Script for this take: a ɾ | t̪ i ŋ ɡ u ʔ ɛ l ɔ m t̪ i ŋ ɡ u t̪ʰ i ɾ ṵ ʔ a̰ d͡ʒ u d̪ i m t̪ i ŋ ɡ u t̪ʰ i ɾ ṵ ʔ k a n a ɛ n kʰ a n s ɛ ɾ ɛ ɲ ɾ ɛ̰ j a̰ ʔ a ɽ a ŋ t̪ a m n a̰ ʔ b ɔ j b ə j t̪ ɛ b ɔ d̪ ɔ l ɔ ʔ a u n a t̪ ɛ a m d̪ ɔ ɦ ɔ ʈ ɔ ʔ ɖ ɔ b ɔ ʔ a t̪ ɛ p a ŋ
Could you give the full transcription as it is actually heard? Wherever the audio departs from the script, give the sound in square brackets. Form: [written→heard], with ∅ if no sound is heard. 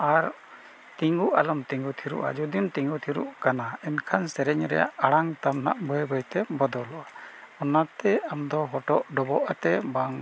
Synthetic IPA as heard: a ɾ | t̪ i ŋ ɡ u ʔ [ɛ→a] l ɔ m t̪ i ŋ ɡ u t̪ʰ i ɾ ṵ ʔ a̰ d͡ʒ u d̪ i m t̪ i ŋ ɡ u t̪ʰ i ɾ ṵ ʔ k a n a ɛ n kʰ a n s ɛ ɾ ɛ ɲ ɾ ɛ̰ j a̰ ʔ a ɽ a ŋ t̪ a m n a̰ ʔ b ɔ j b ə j t̪ ɛ b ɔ d̪ ɔ l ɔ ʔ a [u→ɔ] n a t̪ ɛ a m d̪ ɔ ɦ ɔ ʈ ɔ ʔ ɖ ɔ b ɔ ʔ a t̪ ɛ [p→b] a ŋ